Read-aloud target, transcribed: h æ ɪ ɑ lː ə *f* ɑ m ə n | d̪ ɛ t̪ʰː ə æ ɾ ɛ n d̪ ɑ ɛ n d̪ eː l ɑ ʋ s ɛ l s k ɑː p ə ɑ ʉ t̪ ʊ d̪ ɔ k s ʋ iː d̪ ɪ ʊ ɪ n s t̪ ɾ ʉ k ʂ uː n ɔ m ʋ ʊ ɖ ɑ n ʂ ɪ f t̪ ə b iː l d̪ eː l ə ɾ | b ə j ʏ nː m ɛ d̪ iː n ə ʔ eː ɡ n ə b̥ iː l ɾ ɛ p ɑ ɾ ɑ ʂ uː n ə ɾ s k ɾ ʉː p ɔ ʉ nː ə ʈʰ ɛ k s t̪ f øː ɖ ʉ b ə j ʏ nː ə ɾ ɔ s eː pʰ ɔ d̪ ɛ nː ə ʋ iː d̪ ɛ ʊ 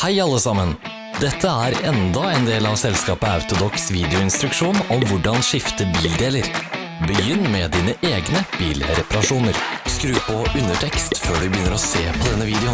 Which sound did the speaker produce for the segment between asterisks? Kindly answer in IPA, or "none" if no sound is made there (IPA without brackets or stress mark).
s